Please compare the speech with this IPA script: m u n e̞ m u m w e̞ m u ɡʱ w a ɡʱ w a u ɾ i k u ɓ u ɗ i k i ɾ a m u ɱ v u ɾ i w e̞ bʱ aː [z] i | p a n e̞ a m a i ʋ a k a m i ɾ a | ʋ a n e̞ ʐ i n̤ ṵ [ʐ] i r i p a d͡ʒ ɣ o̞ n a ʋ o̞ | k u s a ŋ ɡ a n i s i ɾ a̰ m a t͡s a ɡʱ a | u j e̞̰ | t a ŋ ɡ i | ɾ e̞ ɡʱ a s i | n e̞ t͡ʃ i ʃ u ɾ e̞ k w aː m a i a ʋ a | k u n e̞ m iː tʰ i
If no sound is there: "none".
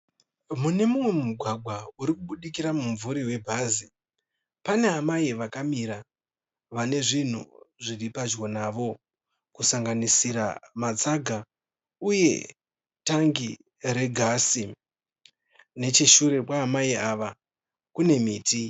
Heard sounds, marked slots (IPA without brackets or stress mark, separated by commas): z, ʐ